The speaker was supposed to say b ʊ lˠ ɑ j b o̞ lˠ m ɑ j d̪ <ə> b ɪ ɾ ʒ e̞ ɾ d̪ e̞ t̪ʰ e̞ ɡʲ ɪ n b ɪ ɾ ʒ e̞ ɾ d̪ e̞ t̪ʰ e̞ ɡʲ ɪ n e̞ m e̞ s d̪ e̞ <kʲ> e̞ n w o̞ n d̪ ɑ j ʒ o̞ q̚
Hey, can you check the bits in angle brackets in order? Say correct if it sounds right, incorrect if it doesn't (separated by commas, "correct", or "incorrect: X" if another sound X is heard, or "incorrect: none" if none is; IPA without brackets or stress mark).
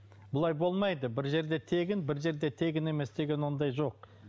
correct, incorrect: ɡʲ